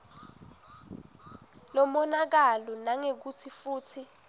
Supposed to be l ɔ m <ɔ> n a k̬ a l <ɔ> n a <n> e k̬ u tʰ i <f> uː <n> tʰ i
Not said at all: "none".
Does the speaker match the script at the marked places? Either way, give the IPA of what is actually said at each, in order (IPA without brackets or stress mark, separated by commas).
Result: ɔ, ɔ, ŋ, f, none